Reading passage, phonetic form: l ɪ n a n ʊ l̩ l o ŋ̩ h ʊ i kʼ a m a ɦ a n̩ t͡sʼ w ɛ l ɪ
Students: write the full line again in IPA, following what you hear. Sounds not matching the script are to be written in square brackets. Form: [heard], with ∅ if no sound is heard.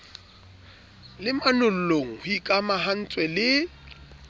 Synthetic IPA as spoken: l ɪ [m] a n ʊ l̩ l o ŋ̩ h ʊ i kʼ a m a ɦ a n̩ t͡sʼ w ɛ l ɪ